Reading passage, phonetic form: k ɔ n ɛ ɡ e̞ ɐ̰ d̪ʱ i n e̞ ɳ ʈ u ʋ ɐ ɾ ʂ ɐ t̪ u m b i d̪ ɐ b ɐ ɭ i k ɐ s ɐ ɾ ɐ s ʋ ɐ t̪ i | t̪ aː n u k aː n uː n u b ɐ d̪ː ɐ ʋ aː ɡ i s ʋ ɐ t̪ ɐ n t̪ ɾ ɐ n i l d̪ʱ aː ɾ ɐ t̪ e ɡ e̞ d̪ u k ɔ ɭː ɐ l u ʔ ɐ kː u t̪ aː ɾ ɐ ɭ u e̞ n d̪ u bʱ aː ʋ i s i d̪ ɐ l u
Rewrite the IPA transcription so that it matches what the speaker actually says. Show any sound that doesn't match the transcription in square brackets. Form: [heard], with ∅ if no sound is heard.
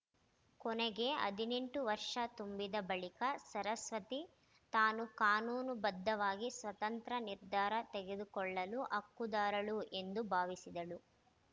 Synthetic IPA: k ɔ n ɛ ɡ e̞ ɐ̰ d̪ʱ i n e̞ ɳ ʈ u ʋ ɐ ɾ ʂ ɐ t̪ u m b i d̪ ɐ b ɐ ɭ i k ɐ s ɐ ɾ ɐ s ʋ ɐ t̪ i | t̪ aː n u k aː n uː n u b ɐ d̪ː ɐ ʋ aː ɡ i s ʋ ɐ t̪ ɐ n t̪ ɾ ɐ n i [ɾ] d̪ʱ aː ɾ ɐ t̪ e ɡ e̞ d̪ u k ɔ ɭː ɐ l u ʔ ɐ kː u [d̪] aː ɾ ɐ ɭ u e̞ n d̪ u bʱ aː ʋ i s i d̪ ɐ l u